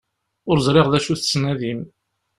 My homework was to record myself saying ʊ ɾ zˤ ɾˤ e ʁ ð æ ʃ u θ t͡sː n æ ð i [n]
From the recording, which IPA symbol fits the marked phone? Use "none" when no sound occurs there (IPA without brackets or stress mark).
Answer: m